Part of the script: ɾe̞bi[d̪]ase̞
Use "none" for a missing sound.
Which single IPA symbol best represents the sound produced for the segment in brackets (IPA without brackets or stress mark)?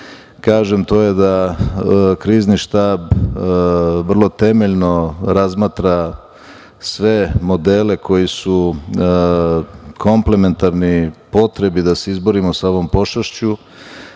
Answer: d̪